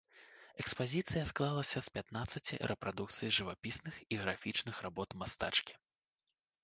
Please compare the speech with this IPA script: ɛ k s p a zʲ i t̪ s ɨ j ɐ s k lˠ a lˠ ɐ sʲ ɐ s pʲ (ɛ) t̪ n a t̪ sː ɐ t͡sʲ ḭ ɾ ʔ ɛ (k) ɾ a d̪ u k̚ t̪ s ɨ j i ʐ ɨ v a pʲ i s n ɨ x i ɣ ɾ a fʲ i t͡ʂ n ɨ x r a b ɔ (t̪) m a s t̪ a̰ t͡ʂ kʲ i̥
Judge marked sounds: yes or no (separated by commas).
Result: no, no, yes